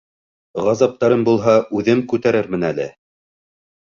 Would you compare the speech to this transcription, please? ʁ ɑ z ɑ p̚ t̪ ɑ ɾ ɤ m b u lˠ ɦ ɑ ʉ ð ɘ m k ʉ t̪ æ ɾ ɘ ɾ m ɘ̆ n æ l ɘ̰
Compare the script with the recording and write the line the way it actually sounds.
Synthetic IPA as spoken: ʁ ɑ z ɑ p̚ t̪ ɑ ɾ ɤ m b u lˠ ɦ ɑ ʉ ð ɘ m k ʉ t̪ æ ɾ ɘ ɾ m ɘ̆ n æ l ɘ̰